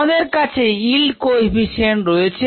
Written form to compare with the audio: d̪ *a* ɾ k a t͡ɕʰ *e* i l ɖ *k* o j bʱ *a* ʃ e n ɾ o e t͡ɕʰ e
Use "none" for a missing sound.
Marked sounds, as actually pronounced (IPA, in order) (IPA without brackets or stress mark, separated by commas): e, e, k, i